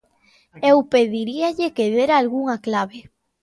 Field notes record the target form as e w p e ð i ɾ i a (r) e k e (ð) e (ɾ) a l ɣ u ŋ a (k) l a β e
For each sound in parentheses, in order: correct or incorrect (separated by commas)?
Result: incorrect, correct, correct, correct